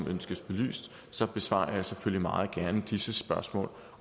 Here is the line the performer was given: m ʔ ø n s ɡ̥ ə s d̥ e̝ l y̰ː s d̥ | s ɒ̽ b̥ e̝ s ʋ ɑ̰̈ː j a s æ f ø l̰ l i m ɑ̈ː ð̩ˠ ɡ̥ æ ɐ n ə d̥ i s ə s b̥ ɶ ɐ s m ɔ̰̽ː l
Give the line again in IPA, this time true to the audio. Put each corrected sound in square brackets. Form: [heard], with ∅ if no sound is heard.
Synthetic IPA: m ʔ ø n s ɡ̥ ə s [b̥] e̝ l y̰ː s d̥ | s ɒ̽ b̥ e̝ s ʋ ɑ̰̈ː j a s [e] f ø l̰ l i m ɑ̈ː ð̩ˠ ɡ̥ æ ɐ n ə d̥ i s ə s b̥ ɶ ɐ s m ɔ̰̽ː l

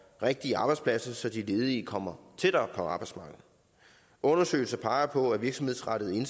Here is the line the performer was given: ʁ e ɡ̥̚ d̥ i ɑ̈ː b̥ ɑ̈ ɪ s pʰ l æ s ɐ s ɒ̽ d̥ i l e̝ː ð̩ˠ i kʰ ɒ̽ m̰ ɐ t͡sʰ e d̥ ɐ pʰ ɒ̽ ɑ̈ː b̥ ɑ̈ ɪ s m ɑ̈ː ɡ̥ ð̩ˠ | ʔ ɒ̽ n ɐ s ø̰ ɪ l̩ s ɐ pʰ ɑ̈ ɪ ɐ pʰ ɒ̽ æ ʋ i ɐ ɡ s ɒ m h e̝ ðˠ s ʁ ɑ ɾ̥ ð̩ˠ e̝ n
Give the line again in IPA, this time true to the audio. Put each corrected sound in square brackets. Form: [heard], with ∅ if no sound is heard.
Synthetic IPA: ʁ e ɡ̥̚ d̥ i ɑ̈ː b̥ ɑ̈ ɪ s pʰ l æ s ɐ s ɒ̽ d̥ i l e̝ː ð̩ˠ i kʰ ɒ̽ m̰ ɐ t͡sʰ e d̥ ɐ pʰ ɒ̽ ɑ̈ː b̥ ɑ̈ ɪ s m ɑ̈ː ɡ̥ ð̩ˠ | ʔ [ɔ̽] n ɐ s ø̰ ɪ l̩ s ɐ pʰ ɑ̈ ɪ ɐ pʰ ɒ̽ æ ʋ i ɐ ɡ s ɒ m h e̝ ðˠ s ʁ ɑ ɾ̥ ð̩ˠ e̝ n

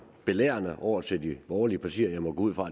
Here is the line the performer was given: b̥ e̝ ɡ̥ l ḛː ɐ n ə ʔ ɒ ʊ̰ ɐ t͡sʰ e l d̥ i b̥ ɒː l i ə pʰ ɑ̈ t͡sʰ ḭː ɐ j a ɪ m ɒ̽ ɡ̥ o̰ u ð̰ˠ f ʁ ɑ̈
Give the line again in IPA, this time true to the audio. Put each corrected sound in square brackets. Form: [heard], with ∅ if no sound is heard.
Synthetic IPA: b̥ e̝ [∅] l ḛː ɐ n ə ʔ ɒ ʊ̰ ɐ t͡sʰ e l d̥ i b̥ ɒː l i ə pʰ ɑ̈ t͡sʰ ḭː ɐ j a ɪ m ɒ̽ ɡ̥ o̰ u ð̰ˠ f ʁ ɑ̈

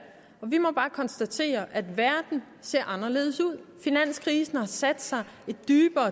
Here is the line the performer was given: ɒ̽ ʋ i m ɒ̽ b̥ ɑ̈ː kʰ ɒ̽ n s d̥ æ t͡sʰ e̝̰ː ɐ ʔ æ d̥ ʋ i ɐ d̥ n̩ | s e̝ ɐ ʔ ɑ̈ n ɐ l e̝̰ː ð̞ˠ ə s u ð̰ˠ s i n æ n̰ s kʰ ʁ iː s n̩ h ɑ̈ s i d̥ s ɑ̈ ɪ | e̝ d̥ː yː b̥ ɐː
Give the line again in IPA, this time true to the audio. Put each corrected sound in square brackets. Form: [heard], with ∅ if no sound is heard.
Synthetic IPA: ɒ̽ ʋ i m ɒ̽ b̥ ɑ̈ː kʰ ɒ̽ n s d̥ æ t͡sʰ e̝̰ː ɐ ʔ æ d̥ ʋ [æ] ɐ d̥ n̩ | s e̝ ɐ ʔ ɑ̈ n ɐ l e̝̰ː ð̞ˠ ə s u ð̰ˠ [f] i n æ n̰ s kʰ ʁ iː s n̩ h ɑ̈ s [æ] d̥ s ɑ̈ ɪ | e̝ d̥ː yː b̥ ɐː

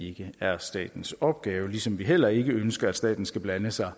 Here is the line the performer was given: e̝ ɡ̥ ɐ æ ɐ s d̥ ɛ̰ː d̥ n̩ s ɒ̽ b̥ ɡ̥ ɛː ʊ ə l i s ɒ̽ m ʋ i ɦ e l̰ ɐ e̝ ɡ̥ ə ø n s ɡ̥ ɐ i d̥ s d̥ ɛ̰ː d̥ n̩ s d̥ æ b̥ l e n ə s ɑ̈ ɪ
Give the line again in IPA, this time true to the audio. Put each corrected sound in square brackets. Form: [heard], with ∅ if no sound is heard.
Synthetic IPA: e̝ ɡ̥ [ə] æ ɐ s d̥ ɛ̰ː d̥ n̩ s ɒ̽ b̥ ɡ̥ ɛː ʊ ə l i s ɒ̽ m ʋ i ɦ e l̰ ɐ e̝ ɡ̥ ə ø n s ɡ̥ ɐ [æ] d̥ s d̥ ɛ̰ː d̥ n̩ s [ɡ̥] æ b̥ l [æ] n ə s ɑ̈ ɪ

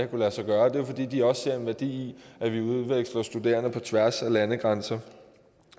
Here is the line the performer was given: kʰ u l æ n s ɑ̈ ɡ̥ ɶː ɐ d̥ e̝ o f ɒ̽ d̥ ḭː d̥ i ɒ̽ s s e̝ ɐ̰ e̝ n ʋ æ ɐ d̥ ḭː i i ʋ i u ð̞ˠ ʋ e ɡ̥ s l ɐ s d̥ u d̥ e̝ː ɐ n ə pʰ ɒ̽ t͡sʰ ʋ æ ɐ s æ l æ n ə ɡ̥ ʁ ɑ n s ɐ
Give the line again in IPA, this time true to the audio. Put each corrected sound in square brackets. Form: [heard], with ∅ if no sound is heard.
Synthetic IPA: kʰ u l æ [∅] s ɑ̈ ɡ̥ ɶː ɐ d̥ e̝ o f ɒ̽ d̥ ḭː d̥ i ɒ̽ s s e̝ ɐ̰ e̝ n ʋ æ ɐ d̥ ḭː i [æ] ʋ i u ð̞ˠ ʋ e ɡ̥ s l ɐ s d̥ u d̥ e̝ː ɐ n ə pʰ ɒ̽ t͡sʰ ʋ æ ɐ s æ l æ n ə ɡ̥ ʁ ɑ n s ɐ

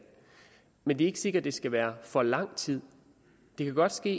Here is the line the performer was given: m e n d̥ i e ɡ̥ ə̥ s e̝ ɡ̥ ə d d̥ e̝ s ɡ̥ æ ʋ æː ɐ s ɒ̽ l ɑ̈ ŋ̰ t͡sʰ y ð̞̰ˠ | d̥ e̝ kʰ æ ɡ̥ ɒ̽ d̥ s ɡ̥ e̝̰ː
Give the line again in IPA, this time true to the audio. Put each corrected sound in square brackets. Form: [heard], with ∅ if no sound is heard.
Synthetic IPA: m e n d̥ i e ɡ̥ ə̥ s e̝ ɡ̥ [ɐ] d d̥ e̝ s ɡ̥ æ ʋ æː ɐ [f] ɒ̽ l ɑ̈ ŋ̰ t͡sʰ [i] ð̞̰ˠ | d̥ e̝ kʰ æ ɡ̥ ɒ̽ d̥ s ɡ̥ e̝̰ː

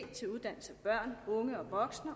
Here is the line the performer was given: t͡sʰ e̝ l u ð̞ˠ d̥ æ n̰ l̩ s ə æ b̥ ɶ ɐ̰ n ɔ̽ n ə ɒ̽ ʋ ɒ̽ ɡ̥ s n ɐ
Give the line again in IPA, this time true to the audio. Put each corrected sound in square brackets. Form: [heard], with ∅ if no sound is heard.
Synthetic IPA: t͡sʰ e̝ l u ð̞ˠ d̥ æ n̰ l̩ s ə æ b̥ ɶ ɐ̰ n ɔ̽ [ŋ] ə ɒ̽ ʋ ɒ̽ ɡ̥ s n ɐ

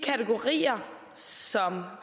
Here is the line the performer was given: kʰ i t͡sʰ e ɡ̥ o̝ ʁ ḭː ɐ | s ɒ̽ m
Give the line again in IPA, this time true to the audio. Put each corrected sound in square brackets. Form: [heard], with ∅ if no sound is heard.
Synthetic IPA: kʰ [æ] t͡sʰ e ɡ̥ o̝ ʁ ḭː ɐ | s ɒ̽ m

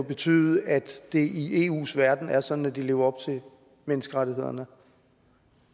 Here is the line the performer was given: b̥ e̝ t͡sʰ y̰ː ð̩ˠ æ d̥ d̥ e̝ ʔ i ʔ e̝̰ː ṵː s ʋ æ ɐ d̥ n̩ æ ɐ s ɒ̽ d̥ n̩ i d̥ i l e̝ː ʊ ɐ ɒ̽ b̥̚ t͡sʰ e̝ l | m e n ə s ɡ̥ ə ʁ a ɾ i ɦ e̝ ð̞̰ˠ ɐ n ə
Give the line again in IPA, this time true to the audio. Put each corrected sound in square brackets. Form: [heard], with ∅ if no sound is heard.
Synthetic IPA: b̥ e̝ t͡sʰ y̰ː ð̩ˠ æ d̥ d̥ e̝ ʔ i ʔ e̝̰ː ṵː s ʋ æ ɐ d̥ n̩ æ ɐ s ɒ̽ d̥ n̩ [æ] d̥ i l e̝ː ʊ ɐ ɒ̽ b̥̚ t͡sʰ e̝ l | m e n ə s ɡ̥ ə ʁ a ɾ i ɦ e̝ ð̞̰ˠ ɐ n ə

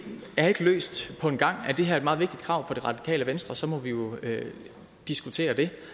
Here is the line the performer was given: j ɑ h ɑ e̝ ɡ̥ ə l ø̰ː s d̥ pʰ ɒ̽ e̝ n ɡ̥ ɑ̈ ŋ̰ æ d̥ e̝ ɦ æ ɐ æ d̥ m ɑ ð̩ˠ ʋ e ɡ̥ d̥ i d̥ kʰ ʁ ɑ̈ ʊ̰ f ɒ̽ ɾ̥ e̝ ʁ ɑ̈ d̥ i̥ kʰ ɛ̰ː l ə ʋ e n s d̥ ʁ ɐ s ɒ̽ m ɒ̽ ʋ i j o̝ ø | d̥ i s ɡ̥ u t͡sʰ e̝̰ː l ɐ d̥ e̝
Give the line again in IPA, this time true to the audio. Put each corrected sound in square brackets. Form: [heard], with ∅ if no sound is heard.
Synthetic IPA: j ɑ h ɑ e̝ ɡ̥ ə l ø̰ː s d̥ pʰ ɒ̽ e̝ n ɡ̥ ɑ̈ ŋ̰ æ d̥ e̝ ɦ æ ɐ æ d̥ m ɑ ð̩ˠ ʋ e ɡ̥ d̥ i d̥ kʰ ʁ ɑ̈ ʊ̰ f ɒ̽ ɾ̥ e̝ ʁ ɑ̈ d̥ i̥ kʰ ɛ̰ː l ə ʋ e n s d̥ ʁ ɐ s ɒ̽ m ɒ̽ ʋ i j o̝ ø | d̥ i s ɡ̥ u t͡sʰ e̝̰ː [∅] ɐ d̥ e̝

